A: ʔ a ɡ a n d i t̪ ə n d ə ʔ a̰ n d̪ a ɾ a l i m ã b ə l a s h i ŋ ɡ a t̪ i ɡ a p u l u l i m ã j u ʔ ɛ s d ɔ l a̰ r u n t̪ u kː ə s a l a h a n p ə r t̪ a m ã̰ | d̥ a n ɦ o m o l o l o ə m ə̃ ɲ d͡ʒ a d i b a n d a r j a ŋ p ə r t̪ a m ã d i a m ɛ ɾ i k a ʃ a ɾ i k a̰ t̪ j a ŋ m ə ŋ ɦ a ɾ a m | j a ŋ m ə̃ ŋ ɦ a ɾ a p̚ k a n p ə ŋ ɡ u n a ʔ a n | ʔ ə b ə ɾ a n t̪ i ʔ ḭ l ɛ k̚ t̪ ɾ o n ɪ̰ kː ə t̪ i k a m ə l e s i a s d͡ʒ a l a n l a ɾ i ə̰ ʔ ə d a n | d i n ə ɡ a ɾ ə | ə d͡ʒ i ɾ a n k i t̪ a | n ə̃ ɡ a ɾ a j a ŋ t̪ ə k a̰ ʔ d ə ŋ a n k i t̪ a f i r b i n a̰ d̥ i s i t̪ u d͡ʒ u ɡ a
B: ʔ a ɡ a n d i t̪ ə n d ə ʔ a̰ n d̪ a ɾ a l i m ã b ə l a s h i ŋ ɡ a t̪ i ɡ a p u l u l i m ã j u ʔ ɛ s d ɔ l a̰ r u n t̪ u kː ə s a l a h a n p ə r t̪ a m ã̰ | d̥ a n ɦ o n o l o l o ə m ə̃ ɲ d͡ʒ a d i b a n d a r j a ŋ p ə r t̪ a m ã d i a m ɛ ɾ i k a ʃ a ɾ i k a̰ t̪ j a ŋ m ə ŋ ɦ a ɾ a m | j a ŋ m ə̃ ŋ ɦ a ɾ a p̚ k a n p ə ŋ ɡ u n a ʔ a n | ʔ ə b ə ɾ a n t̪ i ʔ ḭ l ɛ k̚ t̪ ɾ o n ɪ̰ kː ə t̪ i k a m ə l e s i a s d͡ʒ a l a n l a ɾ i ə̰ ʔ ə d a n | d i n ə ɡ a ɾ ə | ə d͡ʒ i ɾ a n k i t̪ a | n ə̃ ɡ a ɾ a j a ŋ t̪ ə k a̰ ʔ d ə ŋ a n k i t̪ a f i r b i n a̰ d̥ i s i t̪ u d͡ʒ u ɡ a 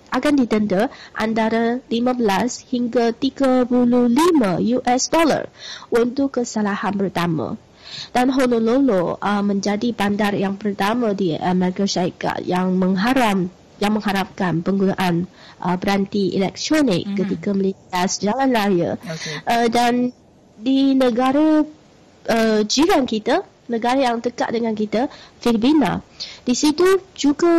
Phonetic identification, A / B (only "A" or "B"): B